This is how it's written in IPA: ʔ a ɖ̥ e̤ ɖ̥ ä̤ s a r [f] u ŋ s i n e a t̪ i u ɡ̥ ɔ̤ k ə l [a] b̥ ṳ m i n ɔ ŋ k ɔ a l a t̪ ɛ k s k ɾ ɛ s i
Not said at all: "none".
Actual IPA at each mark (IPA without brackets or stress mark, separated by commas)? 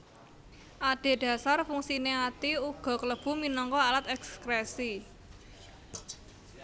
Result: f, ə